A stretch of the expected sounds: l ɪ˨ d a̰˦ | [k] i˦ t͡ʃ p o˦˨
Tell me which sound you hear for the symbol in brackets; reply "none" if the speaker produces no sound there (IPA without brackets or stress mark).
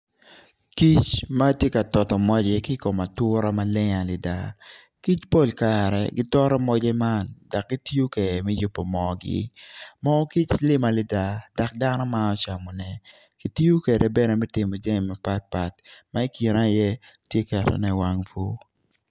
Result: k